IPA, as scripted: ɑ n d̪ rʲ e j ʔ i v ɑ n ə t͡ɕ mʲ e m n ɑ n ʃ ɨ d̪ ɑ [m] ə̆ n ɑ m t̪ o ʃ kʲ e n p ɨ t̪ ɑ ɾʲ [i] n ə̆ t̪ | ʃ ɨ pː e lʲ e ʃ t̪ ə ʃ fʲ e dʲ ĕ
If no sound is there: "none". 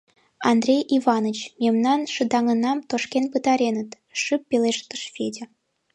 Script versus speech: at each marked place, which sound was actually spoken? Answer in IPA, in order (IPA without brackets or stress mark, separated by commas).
ŋ, e